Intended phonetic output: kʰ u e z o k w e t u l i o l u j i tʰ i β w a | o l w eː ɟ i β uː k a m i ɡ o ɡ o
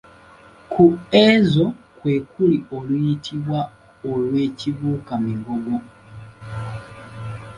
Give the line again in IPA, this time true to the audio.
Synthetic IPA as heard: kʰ u e z o k w e k u l i o l u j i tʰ i β w a | o l w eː c i β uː k a m i ɡ o ɡ o